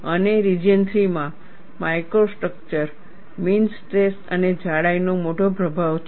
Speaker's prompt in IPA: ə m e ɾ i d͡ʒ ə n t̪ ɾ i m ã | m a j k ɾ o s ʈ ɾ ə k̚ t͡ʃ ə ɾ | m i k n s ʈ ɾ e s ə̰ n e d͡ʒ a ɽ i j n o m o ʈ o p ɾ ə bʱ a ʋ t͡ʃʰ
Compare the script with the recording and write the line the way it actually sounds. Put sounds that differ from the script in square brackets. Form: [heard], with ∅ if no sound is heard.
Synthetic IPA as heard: ə [n] e ɾ i d͡ʒ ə n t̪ ɾ i m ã | m a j k ɾ o s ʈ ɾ ə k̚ t͡ʃ ə ɾ | m i [∅] n s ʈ ɾ e s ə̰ n e d͡ʒ a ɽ [a] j n o m o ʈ o p ɾ ə bʱ a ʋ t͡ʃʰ